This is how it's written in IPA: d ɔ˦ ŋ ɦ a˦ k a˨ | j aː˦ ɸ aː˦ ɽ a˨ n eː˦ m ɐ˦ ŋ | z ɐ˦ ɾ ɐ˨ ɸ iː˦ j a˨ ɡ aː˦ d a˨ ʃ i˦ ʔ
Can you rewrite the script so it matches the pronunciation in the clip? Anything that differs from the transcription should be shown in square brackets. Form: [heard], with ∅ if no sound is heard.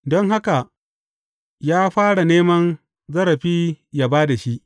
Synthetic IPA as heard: d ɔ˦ ŋ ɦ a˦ k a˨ | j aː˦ ɸ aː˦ ɽ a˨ n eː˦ m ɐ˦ [n] | z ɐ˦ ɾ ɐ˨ ɸ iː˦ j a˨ [b] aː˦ d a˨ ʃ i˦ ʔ